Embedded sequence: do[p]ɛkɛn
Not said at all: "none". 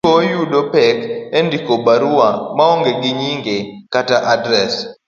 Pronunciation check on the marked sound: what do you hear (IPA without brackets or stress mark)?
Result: p